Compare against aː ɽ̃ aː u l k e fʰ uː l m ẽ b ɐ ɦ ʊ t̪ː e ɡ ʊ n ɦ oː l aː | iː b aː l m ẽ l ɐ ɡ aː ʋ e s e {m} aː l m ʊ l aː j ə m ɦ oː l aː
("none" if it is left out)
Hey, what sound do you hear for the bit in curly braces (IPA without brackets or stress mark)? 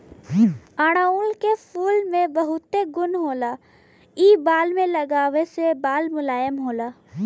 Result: b